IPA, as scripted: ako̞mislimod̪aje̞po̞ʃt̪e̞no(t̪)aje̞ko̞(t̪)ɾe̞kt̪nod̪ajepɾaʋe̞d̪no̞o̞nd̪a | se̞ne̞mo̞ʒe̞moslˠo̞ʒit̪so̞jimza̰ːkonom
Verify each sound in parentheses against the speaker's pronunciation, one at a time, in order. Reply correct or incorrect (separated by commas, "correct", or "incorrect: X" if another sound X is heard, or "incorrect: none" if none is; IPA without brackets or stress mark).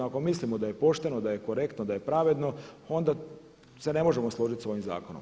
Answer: incorrect: d̪, incorrect: none